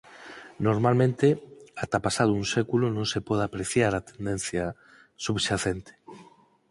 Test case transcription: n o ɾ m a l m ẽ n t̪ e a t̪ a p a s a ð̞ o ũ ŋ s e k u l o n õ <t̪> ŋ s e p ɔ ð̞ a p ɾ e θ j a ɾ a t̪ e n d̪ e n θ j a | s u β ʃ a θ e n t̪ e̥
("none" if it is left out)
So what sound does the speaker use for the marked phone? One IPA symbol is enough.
none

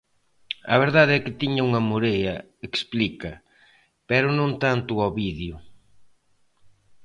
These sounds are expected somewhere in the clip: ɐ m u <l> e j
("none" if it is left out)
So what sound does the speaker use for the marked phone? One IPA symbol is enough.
ɾ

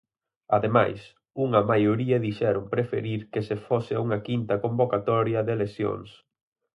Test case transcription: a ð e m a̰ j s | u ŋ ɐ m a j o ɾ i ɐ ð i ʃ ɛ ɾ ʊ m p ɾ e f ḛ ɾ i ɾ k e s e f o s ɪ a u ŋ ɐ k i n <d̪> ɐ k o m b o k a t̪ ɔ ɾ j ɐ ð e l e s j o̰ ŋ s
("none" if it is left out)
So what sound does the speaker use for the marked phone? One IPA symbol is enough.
t̪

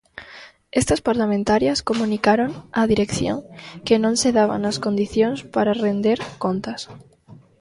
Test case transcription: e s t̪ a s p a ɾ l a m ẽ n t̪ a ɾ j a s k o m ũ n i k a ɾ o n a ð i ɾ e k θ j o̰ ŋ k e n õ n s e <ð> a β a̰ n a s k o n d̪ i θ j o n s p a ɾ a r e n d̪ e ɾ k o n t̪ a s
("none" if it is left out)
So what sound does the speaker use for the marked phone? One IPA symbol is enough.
ð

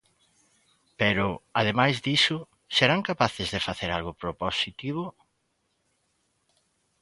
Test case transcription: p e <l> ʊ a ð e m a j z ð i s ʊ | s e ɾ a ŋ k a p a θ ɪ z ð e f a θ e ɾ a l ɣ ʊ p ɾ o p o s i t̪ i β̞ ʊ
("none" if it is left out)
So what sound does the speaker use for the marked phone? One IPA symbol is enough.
ɾ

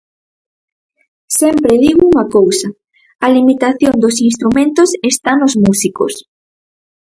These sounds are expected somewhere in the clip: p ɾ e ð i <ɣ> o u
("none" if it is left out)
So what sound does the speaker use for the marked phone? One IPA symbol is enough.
ɣ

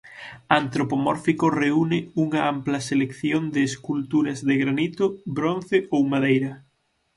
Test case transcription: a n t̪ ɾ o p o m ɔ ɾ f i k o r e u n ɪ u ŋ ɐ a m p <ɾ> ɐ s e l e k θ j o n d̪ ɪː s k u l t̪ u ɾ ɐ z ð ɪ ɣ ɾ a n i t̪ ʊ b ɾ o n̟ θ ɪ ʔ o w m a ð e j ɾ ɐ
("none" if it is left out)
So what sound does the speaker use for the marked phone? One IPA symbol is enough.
l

